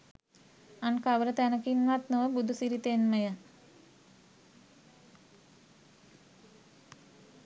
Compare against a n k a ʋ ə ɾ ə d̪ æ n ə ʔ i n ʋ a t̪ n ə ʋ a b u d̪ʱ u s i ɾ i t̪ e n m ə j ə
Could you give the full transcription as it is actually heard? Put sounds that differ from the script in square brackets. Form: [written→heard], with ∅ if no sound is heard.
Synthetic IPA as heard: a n k a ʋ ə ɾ ə [d̪→t̪] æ n ə [ʔ→k] i n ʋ a t̪ n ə ʋ [a→ə] b u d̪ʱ u s i ɾ i t̪ e n m ə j ə